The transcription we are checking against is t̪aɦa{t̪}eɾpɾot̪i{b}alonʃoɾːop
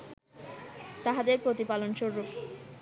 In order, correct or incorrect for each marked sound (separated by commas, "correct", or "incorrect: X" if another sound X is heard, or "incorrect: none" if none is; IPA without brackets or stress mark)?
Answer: incorrect: d̪, incorrect: p